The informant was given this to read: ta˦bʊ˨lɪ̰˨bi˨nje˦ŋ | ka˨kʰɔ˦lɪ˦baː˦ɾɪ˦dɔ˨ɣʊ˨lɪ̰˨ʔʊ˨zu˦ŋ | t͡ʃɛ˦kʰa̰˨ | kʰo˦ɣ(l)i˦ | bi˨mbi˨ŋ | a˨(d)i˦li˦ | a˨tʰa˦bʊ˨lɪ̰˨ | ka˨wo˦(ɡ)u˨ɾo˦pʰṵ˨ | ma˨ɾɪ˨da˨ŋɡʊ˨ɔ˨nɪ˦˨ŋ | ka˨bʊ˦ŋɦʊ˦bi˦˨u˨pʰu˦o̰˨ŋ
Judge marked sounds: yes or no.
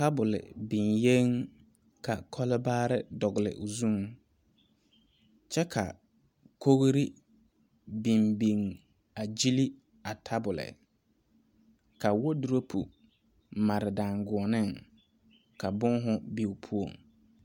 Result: no, no, no

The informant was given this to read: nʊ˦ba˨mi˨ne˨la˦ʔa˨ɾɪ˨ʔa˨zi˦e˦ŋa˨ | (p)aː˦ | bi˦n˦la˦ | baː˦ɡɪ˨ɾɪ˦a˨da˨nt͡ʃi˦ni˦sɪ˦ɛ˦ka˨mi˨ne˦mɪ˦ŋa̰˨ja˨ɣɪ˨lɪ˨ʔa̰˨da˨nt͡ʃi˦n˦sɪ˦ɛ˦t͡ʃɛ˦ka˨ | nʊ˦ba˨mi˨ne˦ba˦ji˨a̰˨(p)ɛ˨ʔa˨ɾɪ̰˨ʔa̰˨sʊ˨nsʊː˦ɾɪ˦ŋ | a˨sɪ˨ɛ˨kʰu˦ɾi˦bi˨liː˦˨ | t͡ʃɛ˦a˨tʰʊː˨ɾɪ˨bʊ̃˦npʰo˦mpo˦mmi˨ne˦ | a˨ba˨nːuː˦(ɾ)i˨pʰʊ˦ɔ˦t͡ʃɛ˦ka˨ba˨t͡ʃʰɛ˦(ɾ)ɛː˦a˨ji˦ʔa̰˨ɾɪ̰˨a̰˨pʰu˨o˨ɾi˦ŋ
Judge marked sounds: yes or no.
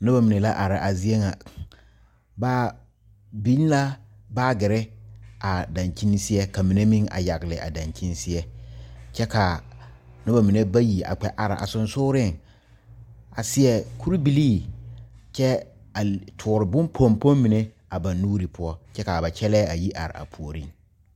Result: no, no, yes, no

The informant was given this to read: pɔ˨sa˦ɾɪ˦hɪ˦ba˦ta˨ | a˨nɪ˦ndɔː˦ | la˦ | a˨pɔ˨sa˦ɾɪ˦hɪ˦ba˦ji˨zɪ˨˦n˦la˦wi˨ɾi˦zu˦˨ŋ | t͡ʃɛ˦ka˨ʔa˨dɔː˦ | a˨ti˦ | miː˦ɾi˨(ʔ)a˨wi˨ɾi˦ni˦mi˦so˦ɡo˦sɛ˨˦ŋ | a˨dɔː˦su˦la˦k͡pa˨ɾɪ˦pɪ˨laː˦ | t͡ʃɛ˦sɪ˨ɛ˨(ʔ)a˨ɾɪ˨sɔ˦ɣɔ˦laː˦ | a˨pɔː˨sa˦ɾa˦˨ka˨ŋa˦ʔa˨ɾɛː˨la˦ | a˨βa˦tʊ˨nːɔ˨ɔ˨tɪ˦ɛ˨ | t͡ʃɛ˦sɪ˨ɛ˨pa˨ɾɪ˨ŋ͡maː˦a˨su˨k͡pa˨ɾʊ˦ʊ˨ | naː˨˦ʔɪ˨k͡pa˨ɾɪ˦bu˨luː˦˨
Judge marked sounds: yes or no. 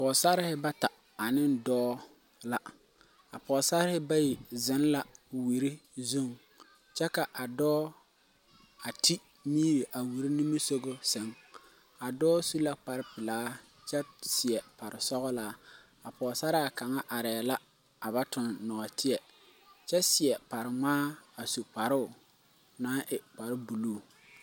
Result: yes, no

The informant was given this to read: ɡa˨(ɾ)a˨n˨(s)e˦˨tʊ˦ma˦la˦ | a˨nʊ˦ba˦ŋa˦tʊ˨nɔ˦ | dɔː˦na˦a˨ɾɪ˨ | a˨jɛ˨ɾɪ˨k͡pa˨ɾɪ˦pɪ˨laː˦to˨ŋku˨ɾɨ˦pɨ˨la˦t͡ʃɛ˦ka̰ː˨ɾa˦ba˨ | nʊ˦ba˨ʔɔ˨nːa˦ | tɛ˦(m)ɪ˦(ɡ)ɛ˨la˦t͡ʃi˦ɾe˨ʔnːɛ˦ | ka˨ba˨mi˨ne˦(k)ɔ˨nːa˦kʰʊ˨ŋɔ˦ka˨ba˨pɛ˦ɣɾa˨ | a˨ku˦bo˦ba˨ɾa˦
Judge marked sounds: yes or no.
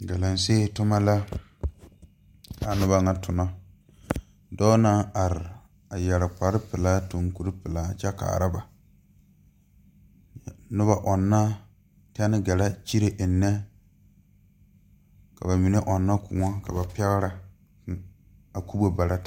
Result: no, yes, no, yes, no

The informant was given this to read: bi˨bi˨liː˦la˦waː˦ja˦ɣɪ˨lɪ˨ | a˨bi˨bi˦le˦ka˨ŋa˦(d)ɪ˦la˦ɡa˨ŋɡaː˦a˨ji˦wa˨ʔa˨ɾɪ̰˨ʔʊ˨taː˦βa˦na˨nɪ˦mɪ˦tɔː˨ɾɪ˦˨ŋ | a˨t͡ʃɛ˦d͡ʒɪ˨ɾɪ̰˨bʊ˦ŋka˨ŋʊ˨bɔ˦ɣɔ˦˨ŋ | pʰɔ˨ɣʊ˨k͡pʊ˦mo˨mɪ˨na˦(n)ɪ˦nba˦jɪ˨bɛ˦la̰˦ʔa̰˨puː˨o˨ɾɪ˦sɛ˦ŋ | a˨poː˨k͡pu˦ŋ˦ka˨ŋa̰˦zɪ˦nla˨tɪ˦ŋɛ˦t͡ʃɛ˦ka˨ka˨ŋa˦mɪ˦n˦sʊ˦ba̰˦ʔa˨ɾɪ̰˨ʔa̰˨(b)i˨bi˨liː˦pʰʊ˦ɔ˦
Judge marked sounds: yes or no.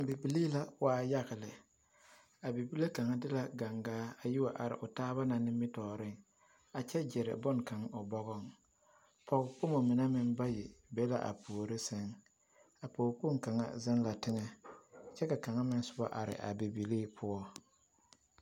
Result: yes, no, yes

